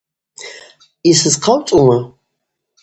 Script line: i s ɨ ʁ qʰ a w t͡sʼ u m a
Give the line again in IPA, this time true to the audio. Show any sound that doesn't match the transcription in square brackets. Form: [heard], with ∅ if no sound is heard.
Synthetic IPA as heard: i s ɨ [z] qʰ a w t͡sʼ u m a